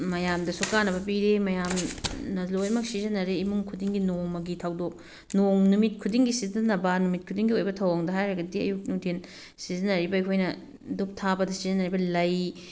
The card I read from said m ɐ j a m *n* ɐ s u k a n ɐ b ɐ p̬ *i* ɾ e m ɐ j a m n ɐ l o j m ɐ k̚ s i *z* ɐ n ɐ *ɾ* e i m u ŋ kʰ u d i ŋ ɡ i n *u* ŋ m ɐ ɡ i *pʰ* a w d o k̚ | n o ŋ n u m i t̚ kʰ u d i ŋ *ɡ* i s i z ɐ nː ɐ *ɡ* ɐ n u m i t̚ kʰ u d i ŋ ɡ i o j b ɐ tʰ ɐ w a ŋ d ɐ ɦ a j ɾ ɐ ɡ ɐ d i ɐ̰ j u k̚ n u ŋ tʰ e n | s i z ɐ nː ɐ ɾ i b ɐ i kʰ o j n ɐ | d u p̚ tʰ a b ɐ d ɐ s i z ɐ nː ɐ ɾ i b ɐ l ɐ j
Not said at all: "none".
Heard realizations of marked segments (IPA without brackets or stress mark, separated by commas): d, i, z, ɾ, o, tʰ, ɡ, b